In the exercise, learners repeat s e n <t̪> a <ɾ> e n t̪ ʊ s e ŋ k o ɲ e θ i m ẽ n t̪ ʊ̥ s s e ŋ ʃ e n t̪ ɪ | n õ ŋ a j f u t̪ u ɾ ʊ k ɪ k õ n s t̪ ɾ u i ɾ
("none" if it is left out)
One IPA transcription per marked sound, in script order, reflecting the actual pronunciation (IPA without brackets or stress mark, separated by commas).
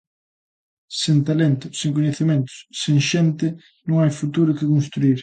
t̪, l